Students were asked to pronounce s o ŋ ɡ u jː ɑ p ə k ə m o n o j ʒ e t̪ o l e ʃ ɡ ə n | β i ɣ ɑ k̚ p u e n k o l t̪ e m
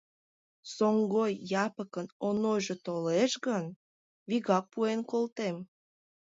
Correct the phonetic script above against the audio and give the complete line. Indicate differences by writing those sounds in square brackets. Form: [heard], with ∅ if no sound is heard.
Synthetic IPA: s o ŋ ɡ [o] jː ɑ p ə k ə [n] o n o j ʒ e t̪ o l e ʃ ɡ ə n | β i ɣ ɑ k̚ p u e n k o l t̪ e m